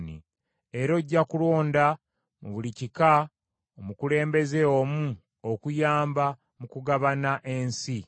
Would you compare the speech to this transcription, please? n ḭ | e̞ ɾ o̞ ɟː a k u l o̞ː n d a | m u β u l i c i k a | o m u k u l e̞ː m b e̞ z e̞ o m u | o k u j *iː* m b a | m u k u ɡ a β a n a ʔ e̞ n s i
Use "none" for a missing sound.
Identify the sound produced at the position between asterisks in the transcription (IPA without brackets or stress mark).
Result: aː